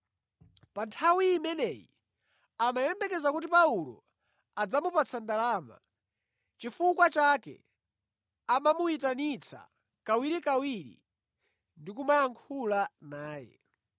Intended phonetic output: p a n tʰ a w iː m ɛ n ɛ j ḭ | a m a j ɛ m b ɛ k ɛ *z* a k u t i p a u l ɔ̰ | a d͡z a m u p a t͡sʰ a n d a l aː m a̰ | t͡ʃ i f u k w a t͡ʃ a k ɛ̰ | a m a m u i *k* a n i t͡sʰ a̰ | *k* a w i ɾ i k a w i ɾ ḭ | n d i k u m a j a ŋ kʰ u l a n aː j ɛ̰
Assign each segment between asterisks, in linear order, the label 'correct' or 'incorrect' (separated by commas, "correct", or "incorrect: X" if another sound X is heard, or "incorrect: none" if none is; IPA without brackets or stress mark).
correct, incorrect: t, correct